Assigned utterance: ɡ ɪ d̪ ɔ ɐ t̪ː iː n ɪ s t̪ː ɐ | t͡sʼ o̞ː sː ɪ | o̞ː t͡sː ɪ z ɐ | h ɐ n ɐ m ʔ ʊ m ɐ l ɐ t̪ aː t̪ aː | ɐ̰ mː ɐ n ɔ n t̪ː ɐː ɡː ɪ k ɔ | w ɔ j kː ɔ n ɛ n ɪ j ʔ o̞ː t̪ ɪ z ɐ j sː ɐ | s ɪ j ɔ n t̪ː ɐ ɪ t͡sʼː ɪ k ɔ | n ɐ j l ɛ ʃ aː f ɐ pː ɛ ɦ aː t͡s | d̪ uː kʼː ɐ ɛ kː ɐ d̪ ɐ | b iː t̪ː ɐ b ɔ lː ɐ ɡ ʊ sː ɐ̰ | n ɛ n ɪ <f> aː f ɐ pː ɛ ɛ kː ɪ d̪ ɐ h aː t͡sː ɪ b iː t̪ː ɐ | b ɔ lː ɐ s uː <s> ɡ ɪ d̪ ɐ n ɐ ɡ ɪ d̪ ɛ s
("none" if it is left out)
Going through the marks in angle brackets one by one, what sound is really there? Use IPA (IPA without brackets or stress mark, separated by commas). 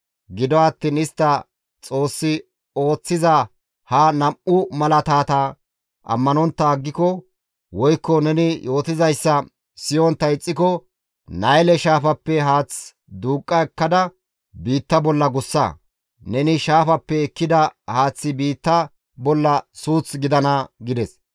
ʃ, t͡s